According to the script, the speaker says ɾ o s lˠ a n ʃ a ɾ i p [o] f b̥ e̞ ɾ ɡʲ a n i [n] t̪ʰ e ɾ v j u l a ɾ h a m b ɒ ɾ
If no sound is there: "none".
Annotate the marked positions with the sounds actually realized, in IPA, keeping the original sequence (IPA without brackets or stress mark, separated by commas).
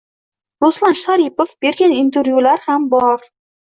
o, n